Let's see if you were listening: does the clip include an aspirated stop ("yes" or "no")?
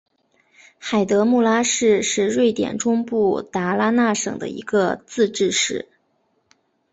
no